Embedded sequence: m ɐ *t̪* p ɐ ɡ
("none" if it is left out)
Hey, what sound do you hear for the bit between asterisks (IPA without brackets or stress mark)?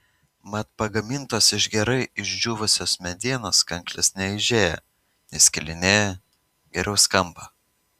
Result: t̪